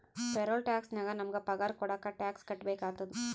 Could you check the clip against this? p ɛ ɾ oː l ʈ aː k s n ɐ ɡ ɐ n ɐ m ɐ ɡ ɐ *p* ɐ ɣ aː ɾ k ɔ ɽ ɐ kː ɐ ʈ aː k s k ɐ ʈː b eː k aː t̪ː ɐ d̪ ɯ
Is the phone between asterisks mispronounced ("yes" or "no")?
no